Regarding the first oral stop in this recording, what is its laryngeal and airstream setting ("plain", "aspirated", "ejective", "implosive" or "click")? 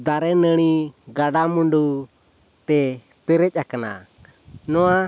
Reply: plain